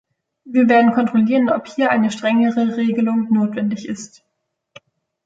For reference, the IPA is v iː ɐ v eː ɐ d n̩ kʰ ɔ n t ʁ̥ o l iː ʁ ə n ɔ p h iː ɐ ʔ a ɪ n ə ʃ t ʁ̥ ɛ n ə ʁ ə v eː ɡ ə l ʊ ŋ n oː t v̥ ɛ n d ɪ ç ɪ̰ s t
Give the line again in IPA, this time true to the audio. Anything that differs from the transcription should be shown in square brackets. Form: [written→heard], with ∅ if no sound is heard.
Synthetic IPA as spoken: v iː ɐ v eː ɐ d n̩ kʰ ɔ n t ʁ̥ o l iː ʁ ə n ɔ p h iː ɐ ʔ a ɪ n ə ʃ t ʁ̥ ɛ [n→ŋ] ə ʁ ə [v→ʁ] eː ɡ ə l ʊ ŋ n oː t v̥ ɛ n d ɪ ç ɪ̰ s t